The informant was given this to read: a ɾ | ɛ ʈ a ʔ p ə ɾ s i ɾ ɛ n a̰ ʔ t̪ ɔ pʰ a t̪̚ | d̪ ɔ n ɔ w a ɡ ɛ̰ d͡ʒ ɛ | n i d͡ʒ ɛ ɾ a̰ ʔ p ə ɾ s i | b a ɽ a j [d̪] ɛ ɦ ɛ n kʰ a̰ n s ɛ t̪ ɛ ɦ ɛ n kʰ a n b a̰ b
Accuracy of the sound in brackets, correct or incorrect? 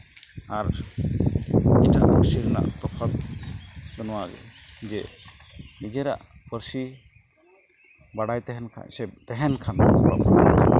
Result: incorrect